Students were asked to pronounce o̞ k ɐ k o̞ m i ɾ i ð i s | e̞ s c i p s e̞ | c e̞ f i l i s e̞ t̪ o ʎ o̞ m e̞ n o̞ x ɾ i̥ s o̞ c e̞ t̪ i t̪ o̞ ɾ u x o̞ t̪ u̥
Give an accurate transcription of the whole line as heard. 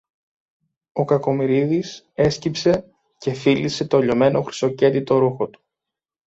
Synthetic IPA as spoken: o̞ k ɐ k o̞ m i ɾ i ð i s | e̞ s c i p s e̞ | c e̞ f i l i s e̞ t̪ o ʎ o̞ m e̞ n o̞ x ɾ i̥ s o̞ c e̞ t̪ i t̪ o̞ ɾ u x o̞ t̪ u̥